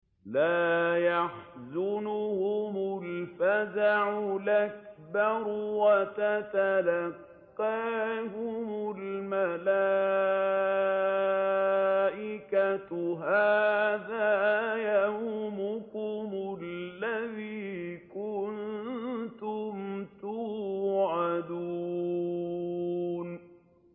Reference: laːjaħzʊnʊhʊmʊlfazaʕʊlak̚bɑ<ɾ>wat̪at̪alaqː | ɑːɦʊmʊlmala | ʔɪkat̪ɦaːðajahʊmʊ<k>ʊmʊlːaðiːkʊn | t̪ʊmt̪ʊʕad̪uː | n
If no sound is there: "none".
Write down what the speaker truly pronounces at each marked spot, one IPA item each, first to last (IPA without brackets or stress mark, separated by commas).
ɾ, k